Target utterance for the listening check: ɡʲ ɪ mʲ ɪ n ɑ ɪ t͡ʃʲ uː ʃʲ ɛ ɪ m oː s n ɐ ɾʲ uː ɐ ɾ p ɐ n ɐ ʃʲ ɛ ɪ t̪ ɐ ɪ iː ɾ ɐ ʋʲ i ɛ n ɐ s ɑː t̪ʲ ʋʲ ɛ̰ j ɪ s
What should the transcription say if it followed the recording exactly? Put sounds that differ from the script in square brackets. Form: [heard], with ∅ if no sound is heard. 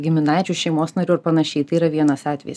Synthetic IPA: ɡʲ ɪ mʲ ɪ n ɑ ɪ t͡ʃʲ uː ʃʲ ɛ ɪ m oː s n ɐ ɾʲ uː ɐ ɾ p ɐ n ɐ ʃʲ ɛ ɪ t̪ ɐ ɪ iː ɾ ɐ ʋʲ i ɛ n ɐ s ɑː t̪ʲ ʋʲ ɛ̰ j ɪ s